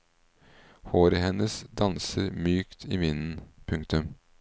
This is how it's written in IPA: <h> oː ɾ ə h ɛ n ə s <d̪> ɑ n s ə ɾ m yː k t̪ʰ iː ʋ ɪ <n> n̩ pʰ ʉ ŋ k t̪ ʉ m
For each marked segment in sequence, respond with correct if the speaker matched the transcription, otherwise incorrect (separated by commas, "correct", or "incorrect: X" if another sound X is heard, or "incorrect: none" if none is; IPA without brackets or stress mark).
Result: correct, correct, correct